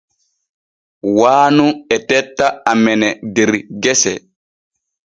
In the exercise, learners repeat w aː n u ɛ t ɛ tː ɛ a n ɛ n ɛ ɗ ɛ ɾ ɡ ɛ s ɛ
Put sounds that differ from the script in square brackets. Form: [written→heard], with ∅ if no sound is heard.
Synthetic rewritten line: w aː n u ɛ t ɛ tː [ɛ→a] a [n→m] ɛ n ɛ [ɗ→d] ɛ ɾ ɡ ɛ s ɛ